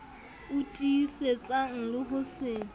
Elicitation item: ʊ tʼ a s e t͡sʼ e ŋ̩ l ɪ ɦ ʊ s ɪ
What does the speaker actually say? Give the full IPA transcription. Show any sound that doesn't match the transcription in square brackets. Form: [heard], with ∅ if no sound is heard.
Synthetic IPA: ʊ tʼ [i] s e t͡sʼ [a] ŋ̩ l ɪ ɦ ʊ s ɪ